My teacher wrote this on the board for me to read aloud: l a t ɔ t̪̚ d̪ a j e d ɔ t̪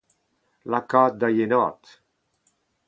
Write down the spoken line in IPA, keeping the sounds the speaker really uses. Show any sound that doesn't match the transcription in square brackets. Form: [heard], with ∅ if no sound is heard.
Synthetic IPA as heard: l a [k] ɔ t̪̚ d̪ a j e [n] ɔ t̪

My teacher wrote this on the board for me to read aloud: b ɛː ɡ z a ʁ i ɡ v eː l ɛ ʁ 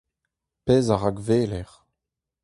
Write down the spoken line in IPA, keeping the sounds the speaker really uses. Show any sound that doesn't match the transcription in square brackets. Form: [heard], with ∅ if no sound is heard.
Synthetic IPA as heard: [p] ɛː [∅] z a ʁ [a] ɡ v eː l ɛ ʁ

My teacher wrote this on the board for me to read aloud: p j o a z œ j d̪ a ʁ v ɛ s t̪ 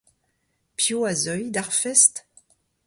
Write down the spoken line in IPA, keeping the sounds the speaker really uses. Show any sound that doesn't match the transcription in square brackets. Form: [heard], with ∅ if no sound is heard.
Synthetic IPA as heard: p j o a z œ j d̪ a ʁ [f] ɛ s t̪

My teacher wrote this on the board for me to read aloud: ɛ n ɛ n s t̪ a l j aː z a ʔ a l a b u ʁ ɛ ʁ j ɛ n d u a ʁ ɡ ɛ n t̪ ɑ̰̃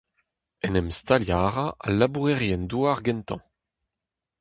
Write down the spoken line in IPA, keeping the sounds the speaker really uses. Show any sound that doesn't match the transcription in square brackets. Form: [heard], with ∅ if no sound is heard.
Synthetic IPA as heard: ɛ n ɛ [m] s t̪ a l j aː [ʁ] a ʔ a l a b u ʁ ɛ ʁ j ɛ n d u a ʁ ɡ ɛ n t̪ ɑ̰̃

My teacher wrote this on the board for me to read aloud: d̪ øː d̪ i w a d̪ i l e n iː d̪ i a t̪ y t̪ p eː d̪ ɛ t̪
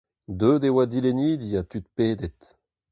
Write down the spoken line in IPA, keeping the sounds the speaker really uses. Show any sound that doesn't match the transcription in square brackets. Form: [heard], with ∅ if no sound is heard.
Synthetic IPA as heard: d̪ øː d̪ [e] w a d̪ i l e n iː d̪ i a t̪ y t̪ p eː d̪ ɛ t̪

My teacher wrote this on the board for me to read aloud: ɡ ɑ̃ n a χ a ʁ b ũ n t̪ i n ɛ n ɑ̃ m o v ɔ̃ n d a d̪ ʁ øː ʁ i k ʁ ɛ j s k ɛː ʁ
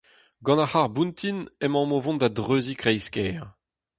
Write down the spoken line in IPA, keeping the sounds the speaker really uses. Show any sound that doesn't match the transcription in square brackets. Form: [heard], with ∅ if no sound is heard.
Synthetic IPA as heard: ɡ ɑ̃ n a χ a ʁ b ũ n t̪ i n ɛ [m] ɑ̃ m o v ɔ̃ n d a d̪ ʁ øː [z] i k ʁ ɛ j s k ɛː ʁ

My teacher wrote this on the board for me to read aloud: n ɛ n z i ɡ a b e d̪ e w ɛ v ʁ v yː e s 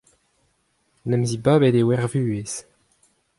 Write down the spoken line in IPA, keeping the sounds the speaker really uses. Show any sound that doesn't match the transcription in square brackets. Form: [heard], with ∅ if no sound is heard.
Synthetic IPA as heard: n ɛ [m] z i [b] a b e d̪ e w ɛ [∅] ʁ v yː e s

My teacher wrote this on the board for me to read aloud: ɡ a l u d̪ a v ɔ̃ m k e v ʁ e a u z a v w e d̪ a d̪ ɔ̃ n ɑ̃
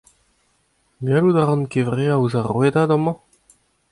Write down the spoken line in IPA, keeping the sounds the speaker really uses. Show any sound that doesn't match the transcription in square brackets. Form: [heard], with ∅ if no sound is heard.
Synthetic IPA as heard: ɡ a l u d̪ a [ʁ] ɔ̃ [n] k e v ʁ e a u z a [ʁ] w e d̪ a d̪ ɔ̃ [m] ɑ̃

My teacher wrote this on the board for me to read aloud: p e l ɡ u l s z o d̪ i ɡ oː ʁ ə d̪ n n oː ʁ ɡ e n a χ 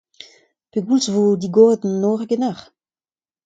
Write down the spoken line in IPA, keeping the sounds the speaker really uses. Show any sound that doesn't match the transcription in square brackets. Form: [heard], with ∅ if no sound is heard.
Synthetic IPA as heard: p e [∅] ɡ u l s [v] o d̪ i ɡ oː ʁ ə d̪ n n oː ʁ ɡ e n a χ

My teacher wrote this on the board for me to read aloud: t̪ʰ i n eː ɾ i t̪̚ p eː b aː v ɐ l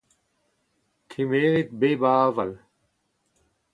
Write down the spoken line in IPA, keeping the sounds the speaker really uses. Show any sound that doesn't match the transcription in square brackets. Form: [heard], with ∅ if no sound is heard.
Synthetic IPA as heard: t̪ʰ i [m] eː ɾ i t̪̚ [b] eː b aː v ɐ l

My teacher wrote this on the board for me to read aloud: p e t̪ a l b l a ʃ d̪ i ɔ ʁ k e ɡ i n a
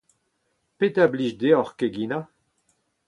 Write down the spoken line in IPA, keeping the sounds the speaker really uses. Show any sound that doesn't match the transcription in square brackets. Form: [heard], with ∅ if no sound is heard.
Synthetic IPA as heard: p e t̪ a [∅] b l [i] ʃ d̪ [e] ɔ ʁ k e ɡ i n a

